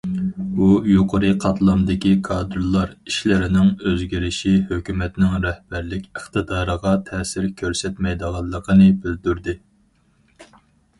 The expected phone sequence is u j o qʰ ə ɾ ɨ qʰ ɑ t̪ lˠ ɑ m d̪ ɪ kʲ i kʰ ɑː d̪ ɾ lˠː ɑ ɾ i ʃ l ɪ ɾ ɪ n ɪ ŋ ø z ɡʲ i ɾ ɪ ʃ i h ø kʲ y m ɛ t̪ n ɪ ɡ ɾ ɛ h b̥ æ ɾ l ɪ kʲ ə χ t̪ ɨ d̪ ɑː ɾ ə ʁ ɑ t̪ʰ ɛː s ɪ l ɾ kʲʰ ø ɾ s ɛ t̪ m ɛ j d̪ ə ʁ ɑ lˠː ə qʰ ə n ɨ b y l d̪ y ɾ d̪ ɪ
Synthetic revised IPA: u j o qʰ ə ɾ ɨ qʰ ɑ t̪ lˠ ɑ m d̪ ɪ kʲ i kʰ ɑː d̪ ɾ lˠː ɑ ɾ i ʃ l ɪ ɾ ɪ n ɪ ŋ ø z ɡʲ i ɾ ɪ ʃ i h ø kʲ y m ɛ t̪ n ɪ ŋ ɾ ɛ h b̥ æ ɾ l ɪ kʲ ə χ t̪ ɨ d̪ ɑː ɾ ə ʁ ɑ t̪ʰ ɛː s ɪ ɾ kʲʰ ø ɾ s ɛ t̪ m ɛ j d̪ ə ʁ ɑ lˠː ə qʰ ə n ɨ b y l d̪ y ɾ d̪ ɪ